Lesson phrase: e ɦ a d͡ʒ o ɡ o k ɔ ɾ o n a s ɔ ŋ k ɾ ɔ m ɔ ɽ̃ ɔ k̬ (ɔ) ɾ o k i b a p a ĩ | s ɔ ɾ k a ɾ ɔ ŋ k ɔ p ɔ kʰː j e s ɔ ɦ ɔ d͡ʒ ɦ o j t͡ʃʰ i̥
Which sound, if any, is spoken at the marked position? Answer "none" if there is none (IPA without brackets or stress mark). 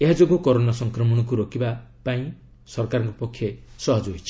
u